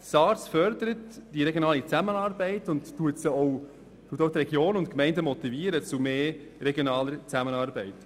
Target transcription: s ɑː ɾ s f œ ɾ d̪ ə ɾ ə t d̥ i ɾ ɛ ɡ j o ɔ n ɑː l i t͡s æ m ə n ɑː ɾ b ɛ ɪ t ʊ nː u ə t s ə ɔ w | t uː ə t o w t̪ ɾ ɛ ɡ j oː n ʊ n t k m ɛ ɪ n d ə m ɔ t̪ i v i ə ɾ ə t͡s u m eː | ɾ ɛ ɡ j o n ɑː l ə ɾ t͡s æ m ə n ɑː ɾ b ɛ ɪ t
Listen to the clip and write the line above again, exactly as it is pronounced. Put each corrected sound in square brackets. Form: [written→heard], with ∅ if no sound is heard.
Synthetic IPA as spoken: s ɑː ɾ s f œ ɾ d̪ ə ɾ ə t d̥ i ɾ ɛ ɡ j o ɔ n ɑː l i t͡s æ m ə n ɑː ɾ b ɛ ɪ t ʊ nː u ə t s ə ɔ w | t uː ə t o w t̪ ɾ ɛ ɡ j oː n ʊ n t k m ɛ ɪ n d ə m ɔ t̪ i v i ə ɾ ə t͡s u m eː | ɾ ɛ ɡ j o n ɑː l ə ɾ t͡s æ m ə n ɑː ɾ b ɛ ɪ t